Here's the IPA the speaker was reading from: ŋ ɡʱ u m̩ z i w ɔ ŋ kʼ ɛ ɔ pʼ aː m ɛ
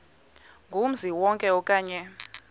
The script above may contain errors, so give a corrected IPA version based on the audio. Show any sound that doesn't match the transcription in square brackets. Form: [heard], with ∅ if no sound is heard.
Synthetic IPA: ŋ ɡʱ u m̩ z i w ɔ ŋ kʼ ɛ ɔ [kʼ] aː [ɲ] ɛ